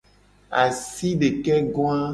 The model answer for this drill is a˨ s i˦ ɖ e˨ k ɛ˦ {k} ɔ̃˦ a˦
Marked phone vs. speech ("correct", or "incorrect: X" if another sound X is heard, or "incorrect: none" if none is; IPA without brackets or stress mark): incorrect: ɡ